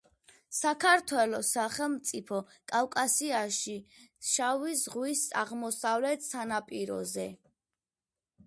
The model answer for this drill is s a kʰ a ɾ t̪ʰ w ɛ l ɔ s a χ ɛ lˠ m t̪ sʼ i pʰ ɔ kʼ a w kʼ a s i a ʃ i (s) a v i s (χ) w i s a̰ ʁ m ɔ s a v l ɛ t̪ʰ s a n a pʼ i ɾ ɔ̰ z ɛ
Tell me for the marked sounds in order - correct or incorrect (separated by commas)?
incorrect, incorrect